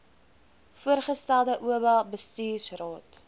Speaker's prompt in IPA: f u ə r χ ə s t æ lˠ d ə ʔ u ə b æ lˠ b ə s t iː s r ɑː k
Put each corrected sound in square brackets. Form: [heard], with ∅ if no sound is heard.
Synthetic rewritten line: f u ə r χ ə s t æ lˠ d ə ʔ u ə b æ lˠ b ə s t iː s r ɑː [t]